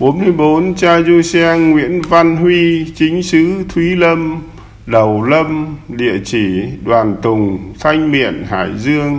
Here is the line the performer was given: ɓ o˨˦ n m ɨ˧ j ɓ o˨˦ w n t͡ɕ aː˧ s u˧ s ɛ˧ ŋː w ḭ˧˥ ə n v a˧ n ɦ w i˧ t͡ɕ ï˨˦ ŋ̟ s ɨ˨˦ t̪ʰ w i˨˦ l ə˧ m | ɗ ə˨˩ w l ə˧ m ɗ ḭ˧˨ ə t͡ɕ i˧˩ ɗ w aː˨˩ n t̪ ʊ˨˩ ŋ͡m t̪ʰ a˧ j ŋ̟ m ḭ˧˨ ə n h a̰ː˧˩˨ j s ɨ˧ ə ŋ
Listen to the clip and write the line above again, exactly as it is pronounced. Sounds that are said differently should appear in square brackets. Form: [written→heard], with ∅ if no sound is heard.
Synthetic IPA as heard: ɓ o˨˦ n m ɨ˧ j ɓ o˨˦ [w→∅] n t͡ɕ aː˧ [s→z] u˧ s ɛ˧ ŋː w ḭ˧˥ ə n v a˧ n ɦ w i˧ t͡ɕ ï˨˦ ŋ̟ s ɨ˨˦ t̪ʰ w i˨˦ l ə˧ m | ɗ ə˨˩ w l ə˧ m ɗ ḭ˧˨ ə t͡ɕ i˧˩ ɗ w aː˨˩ n t̪ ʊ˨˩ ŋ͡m t̪ʰ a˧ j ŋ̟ m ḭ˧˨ ə n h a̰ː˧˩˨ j [s→z] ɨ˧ ə ŋ